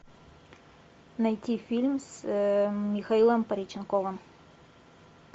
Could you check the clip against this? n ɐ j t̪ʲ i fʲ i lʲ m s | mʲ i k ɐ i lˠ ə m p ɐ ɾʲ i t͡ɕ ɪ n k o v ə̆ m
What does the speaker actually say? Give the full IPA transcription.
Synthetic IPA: n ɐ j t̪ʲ i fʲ i lʲ m s | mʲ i x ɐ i lˠ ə m p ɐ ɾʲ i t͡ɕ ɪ n k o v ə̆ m